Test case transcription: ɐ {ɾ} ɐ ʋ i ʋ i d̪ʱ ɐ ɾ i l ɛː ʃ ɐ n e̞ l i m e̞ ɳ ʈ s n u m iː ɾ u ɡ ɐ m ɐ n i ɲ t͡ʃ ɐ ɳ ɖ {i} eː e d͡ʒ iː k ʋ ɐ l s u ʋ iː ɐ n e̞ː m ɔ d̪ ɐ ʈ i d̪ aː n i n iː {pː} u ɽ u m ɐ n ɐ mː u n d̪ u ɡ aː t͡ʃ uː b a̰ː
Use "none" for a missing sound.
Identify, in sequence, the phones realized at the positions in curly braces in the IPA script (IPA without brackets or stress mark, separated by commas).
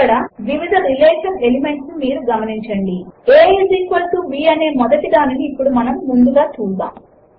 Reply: ɽ, i, pː